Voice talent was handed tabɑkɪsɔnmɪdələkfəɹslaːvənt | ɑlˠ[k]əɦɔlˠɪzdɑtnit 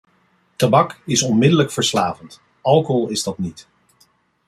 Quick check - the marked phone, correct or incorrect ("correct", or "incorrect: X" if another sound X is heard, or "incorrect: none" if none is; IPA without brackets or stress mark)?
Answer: correct